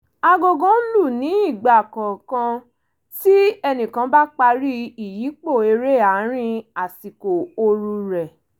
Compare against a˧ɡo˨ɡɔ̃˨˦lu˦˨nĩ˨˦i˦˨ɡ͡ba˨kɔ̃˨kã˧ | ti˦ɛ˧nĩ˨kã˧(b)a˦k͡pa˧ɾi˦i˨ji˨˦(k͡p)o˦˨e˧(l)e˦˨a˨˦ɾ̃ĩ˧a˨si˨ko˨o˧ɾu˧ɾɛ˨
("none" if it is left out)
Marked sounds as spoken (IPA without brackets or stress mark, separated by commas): b, k͡p, ɾ